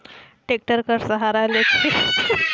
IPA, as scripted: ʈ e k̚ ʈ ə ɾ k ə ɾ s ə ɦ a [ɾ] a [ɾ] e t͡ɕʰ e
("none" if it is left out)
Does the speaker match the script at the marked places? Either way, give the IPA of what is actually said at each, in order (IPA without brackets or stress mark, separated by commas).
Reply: ɾ, l